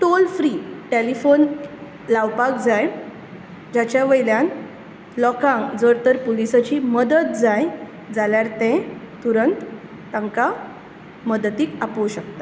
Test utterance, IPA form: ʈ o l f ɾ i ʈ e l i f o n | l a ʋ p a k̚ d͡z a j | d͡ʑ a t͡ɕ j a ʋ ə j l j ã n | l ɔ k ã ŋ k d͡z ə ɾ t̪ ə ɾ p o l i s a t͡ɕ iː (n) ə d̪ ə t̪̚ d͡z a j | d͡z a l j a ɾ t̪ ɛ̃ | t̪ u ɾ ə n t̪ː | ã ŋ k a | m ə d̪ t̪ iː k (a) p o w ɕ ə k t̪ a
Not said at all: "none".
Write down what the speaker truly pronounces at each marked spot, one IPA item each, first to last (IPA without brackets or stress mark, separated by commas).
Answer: m, a